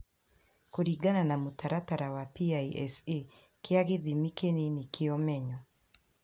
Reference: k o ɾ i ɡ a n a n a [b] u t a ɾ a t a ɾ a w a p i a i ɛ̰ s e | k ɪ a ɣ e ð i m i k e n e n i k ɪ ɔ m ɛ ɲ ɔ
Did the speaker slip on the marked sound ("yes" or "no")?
yes